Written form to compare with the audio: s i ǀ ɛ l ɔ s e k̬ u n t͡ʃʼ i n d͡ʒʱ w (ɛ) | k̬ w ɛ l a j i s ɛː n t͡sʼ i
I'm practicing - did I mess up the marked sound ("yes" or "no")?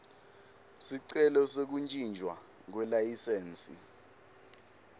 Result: yes